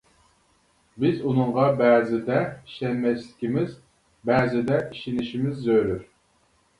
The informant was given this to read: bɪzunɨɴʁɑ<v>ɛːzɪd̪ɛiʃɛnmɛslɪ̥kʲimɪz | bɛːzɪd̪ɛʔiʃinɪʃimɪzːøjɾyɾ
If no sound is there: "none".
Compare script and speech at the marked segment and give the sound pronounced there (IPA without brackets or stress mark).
b